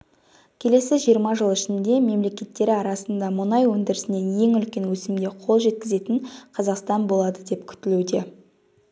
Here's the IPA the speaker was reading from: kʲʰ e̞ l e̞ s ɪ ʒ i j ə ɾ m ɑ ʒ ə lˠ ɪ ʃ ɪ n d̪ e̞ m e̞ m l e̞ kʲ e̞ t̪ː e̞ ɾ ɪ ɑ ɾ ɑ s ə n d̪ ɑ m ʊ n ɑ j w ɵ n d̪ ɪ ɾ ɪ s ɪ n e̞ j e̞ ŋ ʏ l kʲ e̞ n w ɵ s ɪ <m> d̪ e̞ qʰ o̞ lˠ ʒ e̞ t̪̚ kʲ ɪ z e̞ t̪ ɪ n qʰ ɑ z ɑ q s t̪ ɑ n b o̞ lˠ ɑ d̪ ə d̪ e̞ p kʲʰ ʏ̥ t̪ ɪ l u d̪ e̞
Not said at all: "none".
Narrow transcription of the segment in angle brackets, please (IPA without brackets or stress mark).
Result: m